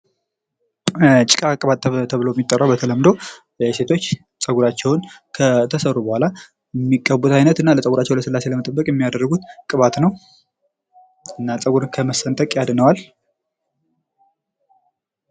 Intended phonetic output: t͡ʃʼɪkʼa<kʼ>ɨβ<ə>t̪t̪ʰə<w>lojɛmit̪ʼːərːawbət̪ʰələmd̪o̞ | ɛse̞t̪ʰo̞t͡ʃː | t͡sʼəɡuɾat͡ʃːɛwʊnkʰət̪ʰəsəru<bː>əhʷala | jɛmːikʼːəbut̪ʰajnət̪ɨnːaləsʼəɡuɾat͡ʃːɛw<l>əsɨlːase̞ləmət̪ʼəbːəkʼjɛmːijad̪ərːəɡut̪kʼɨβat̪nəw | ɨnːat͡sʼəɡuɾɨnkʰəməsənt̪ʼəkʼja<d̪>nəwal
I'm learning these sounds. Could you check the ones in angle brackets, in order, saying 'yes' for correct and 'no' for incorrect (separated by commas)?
yes, no, no, no, yes, yes